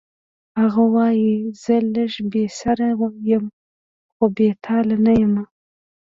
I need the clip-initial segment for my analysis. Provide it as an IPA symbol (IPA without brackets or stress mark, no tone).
h